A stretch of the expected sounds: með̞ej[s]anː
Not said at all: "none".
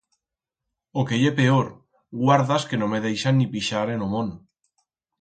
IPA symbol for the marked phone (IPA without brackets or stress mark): ʃ